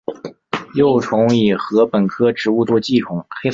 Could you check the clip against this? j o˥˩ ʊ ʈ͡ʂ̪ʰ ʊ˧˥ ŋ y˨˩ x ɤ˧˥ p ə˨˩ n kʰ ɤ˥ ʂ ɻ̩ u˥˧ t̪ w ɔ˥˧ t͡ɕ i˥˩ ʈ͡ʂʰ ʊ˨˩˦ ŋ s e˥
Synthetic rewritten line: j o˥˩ ʊ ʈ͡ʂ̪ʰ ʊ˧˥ ŋ i˨˩ x ɤ˧˥ p ə˨˩ n kʰ ɤ˥ ʈ͡ʂ ɻ̩ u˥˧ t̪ w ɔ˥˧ t͡ɕ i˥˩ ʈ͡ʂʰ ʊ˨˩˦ ŋ x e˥

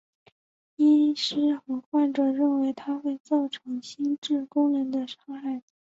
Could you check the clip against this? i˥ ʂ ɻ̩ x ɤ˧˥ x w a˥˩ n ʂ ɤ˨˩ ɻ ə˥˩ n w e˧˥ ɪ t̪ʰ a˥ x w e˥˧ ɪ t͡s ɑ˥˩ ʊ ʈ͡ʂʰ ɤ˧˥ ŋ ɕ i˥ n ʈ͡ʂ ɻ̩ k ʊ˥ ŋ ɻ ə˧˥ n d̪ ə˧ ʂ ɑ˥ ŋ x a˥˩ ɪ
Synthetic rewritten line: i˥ ʂ ɻ̩ x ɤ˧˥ x w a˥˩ n ʈ͡ʂ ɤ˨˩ ɻ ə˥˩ n w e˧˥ ɪ t̪ʰ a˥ x w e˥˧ ɪ t͡s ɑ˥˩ ʊ ʈ͡ʂʰ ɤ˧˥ ŋ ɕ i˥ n ʈ͡ʂ ɻ̩ k ʊ˥ ŋ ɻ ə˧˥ n d̪ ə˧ ʂ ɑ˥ ŋ x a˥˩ ɪ

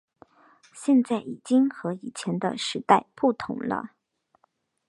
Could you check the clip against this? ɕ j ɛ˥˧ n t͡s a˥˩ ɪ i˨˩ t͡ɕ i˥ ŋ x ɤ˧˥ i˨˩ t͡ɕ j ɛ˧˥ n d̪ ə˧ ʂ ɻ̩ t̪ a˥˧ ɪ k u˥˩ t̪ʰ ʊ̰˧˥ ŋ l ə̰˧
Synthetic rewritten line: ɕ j ɛ˥˧ n t͡s a˥˩ ɪ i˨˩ t͡ɕ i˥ ŋ x ɤ˧˥ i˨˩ t͡ɕʰ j ɛ˧˥ n d̪ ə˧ ʂ ɻ̩ t̪ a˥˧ ɪ p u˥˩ t̪ʰ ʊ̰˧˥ ŋ l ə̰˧

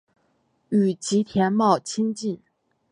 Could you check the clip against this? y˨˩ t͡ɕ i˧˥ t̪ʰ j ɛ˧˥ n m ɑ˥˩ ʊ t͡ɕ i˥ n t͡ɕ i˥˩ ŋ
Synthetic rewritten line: y˨˩ t͡ɕ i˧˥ t̪ʰ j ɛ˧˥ n m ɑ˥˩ ʊ t͡ɕʰ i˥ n t͡ɕ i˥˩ n

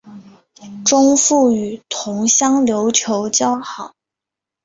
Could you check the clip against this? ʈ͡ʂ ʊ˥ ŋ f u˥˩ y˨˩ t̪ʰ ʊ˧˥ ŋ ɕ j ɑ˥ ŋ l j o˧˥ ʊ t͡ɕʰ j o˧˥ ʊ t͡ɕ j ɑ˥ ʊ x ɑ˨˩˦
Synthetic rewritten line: ʈ͡ʂ ʊ˥ ŋ f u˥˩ y˨˩ t̪ʰ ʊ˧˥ ŋ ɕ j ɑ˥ ŋ l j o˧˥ ʊ t͡ɕʰ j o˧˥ ʊ t͡ɕ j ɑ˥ ʊ x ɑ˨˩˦

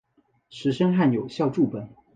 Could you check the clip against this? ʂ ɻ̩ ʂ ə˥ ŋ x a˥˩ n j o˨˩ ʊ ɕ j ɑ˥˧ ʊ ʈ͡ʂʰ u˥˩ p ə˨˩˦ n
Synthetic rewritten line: ʂ ɻ̩ ʂ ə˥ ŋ x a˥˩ n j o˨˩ ʊ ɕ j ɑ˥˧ ʊ ʈ͡ʂ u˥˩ p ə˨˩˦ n

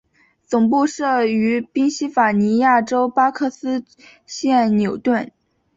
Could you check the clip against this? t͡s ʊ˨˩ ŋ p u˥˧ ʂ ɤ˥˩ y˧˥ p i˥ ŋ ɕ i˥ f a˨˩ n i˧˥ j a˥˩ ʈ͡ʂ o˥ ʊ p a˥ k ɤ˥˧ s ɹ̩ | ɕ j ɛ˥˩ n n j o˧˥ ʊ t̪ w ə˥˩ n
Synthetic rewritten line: t͡s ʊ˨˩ ŋ p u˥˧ ʂ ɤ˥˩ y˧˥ p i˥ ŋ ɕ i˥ f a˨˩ n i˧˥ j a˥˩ ʈ͡ʂ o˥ ʊ p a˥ kʰ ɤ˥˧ s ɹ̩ | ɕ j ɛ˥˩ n n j o˨˩ ʊ t̪ w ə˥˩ n

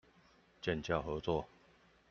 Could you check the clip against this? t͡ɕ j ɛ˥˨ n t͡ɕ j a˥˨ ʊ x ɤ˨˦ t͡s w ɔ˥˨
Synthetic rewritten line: t͡ɕ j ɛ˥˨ n t͡ɕ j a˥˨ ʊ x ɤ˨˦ t͡s w ɔ˥˨

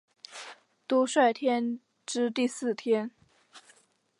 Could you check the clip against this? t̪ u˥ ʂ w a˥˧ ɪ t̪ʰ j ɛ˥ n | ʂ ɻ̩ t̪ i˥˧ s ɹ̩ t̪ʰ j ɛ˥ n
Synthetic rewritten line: t̪ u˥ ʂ w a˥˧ ɪ t̪ʰ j ɛ˥ n | ʈ͡ʂ ɻ̩ t̪ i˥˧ s ɹ̩ t̪ʰ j ɛ˥ n

